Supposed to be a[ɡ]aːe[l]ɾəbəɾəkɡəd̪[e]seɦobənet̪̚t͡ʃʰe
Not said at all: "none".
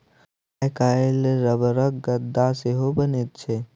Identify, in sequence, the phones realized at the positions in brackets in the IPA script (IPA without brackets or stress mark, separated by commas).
k, l, a